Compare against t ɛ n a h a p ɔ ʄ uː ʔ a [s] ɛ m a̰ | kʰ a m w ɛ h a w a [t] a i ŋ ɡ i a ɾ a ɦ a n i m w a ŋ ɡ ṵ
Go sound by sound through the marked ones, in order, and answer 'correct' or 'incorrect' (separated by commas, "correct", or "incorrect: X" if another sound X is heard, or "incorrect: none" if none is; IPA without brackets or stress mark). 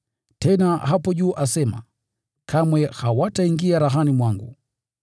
correct, correct